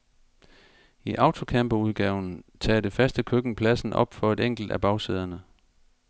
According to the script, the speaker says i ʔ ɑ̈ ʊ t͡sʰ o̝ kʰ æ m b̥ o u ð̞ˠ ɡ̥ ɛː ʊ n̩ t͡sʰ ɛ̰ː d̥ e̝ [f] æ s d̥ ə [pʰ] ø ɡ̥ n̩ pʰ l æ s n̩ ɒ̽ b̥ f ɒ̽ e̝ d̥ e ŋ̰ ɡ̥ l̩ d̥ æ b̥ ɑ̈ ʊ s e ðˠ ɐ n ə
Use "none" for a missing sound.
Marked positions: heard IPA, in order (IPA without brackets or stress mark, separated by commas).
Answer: f, kʰ